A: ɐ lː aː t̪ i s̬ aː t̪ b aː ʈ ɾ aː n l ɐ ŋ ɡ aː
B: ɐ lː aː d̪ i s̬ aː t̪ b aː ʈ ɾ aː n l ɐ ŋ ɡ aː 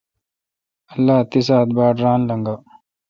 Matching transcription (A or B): A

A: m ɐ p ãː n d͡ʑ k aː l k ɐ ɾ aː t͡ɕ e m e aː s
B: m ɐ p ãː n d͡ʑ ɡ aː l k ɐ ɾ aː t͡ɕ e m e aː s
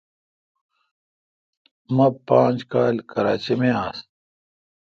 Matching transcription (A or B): A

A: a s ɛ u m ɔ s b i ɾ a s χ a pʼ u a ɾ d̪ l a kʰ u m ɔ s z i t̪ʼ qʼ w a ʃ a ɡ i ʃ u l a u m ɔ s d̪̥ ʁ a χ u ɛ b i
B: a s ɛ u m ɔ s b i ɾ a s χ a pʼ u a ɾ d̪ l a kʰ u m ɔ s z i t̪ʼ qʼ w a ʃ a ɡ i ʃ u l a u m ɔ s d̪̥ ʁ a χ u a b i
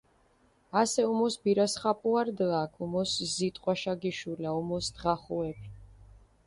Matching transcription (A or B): A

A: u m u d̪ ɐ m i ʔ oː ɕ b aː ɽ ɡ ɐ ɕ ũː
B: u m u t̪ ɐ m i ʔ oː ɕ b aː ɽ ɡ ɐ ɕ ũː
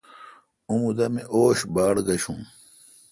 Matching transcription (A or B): A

